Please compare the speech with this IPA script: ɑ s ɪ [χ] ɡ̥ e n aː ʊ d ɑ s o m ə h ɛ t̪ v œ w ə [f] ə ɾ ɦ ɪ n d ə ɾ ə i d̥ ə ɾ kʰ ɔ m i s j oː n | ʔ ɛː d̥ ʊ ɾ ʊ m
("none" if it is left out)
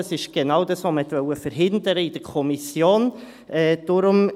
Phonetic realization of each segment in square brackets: ʃ, f

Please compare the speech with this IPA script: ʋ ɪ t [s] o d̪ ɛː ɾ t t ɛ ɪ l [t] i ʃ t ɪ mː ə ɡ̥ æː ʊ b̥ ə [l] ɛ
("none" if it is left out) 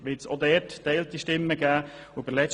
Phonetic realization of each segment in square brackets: s, t, l

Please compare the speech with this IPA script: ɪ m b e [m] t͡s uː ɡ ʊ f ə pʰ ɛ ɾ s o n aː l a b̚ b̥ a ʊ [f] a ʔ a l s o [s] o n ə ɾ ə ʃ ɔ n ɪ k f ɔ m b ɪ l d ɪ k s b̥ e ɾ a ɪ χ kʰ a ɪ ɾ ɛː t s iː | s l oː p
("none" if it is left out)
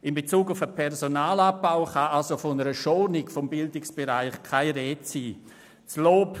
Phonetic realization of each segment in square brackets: none, χ, f

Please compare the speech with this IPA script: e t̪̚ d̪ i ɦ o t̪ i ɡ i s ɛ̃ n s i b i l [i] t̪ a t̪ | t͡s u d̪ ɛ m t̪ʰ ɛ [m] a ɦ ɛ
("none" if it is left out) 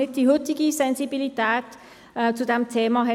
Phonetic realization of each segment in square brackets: i, m

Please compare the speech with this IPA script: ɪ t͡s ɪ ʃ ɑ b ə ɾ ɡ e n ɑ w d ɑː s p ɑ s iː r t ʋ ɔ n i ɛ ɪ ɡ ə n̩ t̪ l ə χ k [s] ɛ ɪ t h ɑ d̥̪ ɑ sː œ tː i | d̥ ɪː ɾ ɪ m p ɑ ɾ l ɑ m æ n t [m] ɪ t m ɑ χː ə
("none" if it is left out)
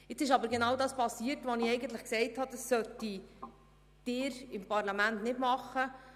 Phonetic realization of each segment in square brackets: s, n

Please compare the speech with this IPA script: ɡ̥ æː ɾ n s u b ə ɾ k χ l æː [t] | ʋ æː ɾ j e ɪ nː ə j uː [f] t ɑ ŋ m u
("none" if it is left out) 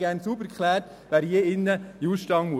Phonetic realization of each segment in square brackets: t, ʃ

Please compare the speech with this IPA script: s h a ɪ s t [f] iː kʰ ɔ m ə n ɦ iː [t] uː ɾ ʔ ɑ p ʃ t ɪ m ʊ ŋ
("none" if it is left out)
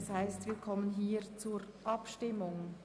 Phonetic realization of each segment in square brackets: v, t͡s

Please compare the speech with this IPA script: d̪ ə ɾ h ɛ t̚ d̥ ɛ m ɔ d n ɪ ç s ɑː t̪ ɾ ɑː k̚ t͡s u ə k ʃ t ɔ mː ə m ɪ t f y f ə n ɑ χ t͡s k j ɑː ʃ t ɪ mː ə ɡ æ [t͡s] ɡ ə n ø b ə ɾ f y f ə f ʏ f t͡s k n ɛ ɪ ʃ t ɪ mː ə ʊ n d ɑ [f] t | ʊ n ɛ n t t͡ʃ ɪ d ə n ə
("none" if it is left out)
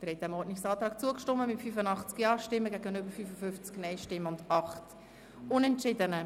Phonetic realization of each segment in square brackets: none, χ

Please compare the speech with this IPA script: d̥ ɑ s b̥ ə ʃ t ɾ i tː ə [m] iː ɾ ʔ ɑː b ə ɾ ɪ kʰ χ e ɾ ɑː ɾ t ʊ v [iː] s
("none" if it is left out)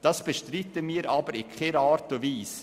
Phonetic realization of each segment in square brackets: m, iː

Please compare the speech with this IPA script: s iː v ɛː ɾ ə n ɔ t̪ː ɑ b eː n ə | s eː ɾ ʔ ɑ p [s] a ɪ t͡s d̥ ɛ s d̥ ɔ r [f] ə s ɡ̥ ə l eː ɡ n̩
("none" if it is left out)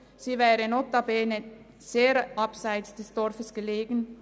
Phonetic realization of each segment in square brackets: s, f

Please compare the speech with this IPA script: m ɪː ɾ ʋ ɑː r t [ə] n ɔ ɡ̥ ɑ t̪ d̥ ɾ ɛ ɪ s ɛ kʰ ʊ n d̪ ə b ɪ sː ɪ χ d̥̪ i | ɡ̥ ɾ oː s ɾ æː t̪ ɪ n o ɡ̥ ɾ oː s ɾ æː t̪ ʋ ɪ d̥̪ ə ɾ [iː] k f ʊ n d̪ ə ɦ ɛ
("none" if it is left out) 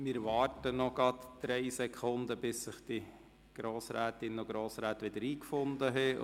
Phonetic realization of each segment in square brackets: ə, iː

